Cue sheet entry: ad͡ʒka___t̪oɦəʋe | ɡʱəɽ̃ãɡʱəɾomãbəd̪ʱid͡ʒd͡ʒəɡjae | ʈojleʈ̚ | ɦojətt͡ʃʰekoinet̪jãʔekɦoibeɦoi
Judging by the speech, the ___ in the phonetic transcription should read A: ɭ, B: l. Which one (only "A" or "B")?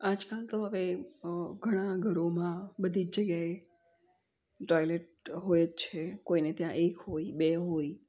B